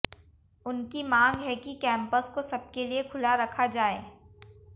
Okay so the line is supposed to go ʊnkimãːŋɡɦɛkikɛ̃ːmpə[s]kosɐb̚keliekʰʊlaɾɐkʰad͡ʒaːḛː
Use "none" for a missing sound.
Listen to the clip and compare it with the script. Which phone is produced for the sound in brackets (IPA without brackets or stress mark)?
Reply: s